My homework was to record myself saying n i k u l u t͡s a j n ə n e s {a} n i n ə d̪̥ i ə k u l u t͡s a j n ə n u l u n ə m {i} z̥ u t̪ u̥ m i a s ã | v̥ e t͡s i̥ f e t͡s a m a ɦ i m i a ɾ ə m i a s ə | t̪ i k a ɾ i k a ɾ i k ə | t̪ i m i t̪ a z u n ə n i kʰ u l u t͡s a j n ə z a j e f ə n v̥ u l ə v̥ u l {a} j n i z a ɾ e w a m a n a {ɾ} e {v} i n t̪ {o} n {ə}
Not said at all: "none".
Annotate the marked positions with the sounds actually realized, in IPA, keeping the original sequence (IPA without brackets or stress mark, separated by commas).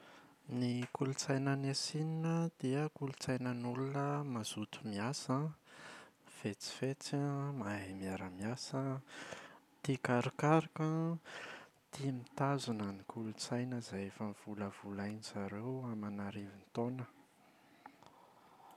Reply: i, a, a, ɾ, v, o, ə